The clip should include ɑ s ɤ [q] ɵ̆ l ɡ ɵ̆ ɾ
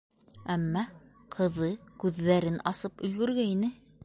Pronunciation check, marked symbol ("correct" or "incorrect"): incorrect